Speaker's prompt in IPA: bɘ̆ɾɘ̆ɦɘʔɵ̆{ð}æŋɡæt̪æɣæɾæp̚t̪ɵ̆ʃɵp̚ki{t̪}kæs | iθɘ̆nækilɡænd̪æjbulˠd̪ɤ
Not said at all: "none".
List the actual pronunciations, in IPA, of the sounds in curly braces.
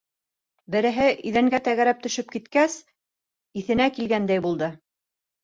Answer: ð, t̪

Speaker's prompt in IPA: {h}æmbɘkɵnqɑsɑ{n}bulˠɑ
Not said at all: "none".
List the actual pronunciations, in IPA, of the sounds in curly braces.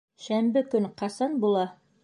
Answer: ʃ, n

